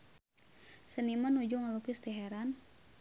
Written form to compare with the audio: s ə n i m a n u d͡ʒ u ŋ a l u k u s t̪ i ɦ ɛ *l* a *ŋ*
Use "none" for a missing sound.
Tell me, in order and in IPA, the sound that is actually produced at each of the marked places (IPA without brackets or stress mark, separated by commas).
ɾ, n